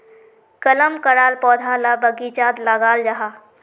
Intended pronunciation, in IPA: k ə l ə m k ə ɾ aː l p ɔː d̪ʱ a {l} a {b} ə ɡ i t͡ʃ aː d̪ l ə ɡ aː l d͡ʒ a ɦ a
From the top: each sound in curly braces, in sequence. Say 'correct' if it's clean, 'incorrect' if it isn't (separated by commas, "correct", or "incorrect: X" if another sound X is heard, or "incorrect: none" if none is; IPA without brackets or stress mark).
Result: correct, correct